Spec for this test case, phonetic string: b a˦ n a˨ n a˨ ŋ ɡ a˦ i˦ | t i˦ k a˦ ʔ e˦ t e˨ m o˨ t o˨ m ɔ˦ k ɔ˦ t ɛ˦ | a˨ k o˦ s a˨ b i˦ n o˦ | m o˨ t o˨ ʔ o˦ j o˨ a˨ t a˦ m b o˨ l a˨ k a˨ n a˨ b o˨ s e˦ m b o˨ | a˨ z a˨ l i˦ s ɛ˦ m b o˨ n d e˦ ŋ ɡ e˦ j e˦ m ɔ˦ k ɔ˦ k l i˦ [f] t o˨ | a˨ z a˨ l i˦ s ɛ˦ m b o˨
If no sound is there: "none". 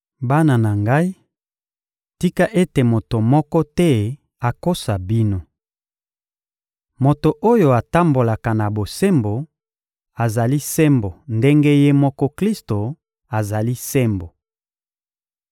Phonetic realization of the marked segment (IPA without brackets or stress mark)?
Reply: s